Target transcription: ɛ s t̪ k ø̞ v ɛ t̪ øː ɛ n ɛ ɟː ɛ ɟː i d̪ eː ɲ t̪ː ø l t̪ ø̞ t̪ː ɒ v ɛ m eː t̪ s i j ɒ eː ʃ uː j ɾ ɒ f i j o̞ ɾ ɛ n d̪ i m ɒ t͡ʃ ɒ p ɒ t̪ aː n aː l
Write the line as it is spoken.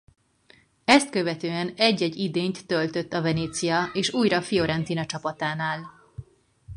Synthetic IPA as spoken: ɛ s t̪ k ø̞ v ɛ t̪ øː ɛ n ɛ ɟː ɛ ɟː i d̪ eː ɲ t̪ː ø l t̪ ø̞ t̪ː ɒ v ɛ n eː t̪ s i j ɒ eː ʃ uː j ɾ ɒ f i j o̞ ɾ ɛ n t̪ i n ɒ t͡ʃ ɒ p ɒ t̪ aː n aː l